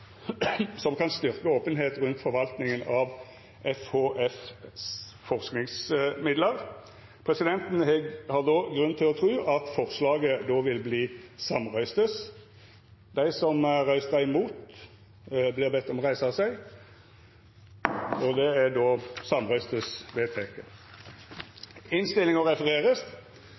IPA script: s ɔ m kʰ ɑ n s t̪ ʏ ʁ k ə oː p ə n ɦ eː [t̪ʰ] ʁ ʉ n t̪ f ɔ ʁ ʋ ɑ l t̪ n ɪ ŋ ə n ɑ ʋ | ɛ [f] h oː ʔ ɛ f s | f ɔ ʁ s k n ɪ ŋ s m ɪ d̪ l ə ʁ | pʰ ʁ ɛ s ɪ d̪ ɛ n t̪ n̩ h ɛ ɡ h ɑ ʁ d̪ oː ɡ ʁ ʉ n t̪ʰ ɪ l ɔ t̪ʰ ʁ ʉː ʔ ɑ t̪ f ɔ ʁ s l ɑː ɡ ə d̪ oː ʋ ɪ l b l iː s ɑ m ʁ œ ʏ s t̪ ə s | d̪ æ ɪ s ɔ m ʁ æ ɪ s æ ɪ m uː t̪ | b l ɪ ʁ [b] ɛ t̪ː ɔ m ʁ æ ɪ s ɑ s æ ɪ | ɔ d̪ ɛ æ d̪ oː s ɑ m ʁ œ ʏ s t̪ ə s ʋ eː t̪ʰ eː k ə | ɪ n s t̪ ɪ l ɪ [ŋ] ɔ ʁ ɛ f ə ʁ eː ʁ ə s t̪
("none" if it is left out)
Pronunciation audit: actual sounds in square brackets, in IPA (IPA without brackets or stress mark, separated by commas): t̪, f, b, ŋ